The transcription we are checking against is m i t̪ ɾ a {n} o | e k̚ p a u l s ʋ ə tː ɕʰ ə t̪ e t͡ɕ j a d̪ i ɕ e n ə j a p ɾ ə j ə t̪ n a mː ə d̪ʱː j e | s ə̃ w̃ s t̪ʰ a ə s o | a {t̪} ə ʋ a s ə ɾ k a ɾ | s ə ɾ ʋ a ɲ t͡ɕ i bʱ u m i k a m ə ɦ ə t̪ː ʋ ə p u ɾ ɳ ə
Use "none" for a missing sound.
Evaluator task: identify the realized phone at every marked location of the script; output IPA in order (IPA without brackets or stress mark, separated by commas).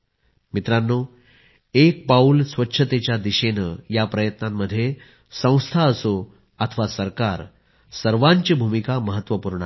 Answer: nː, t̪ʰ